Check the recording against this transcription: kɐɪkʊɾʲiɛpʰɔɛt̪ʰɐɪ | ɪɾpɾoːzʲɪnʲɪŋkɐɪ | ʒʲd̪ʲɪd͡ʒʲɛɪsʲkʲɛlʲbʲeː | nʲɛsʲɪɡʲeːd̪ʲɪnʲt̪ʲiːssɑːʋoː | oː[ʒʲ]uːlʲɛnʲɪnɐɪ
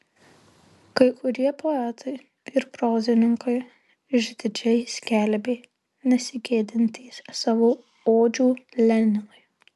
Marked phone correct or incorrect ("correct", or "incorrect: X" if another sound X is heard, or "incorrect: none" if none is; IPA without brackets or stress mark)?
incorrect: d͡ʒʲ